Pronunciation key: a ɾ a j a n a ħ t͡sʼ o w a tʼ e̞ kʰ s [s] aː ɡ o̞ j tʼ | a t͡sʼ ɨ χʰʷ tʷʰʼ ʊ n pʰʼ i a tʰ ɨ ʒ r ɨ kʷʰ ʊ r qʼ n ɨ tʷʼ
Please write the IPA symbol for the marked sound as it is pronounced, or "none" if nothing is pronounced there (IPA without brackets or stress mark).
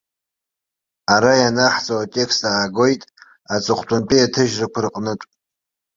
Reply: t